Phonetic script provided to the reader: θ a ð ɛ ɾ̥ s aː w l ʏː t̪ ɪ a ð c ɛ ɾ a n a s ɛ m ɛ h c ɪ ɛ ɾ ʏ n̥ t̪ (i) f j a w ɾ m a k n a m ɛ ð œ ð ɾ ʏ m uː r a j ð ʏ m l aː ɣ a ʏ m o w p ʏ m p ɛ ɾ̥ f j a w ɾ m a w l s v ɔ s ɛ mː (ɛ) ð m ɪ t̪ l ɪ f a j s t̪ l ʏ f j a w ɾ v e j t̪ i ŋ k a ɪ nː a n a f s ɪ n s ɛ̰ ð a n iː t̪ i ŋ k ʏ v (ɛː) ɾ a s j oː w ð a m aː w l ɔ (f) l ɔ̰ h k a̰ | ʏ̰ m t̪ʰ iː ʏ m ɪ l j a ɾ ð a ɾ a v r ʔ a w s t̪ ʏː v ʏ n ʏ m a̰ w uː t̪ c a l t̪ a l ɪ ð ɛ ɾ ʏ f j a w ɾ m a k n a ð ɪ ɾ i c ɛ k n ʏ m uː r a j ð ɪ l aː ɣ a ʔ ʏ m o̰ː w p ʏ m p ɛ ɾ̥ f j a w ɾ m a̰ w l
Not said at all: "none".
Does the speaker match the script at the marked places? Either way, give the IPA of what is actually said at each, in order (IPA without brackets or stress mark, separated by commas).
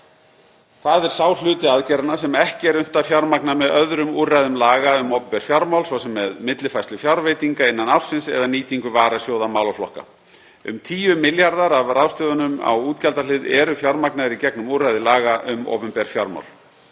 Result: a, ɛ, aː, f